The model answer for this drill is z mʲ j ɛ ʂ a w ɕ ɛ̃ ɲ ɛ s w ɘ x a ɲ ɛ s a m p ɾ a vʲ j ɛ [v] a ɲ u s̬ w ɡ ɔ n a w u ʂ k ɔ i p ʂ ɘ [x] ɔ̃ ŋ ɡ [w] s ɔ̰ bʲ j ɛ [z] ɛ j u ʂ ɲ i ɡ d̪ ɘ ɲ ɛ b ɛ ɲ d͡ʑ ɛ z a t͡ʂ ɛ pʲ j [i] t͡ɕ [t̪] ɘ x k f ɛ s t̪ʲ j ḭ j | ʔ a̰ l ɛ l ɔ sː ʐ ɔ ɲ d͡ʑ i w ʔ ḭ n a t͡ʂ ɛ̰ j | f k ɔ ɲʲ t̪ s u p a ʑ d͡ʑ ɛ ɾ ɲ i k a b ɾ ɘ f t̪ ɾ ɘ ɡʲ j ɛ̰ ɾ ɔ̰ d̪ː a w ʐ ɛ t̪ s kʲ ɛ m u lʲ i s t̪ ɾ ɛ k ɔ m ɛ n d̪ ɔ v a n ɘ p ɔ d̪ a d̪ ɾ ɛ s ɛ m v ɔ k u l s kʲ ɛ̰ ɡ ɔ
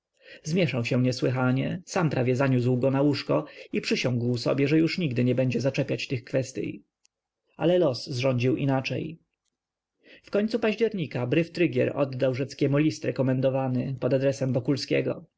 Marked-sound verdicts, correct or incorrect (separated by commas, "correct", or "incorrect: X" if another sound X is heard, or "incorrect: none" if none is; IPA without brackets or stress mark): incorrect: z, incorrect: ɕ, correct, incorrect: ʐ, incorrect: a, correct